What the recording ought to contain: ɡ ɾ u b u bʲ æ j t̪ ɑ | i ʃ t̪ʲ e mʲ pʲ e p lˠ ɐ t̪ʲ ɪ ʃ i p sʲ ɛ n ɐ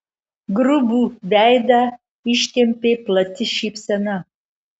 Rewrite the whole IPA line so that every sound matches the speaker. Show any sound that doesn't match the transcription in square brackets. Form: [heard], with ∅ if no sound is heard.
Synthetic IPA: ɡ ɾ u b u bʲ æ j [d̪] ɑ | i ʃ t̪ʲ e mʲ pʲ e p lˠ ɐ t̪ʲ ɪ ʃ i p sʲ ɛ n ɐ